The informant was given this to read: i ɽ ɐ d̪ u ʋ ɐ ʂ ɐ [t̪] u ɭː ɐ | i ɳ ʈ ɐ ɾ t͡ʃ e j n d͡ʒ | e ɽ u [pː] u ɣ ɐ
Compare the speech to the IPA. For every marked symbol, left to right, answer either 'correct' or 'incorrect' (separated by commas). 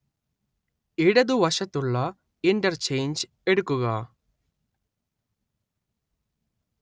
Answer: correct, incorrect